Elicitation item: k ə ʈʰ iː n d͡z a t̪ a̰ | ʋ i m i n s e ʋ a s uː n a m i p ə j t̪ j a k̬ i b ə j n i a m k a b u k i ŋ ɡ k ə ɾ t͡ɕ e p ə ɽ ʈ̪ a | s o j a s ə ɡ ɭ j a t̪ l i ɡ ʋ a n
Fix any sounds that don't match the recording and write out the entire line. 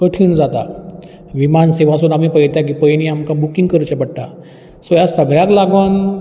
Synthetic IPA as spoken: k ə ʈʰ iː n d͡z a t̪ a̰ | ʋ i m a n s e ʋ a s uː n a m i p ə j t̪ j a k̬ i p ə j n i a m k a b u k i ŋ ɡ k ə ɾ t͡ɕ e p ə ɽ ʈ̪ a | s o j a s ə ɡ ɭ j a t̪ l a ɡ ʋ a n